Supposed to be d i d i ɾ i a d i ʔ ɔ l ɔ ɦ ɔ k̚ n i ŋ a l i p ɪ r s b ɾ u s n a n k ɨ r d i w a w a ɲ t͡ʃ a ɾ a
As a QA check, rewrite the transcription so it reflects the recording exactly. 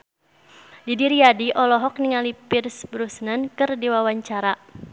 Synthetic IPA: d i d i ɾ i a d i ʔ ɔ l ɔ ɦ ɔ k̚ n i ŋ a l i p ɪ r s b ɾ u s n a n k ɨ r d i w a w a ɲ t͡ʃ a ɾ a